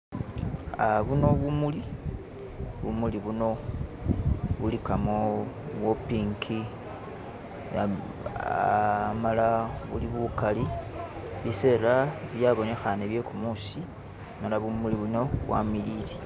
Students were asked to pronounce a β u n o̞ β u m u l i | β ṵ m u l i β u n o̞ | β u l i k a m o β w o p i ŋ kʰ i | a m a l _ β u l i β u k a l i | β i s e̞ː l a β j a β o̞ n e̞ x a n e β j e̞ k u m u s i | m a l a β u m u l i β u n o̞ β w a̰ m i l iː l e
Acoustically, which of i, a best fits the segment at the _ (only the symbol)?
a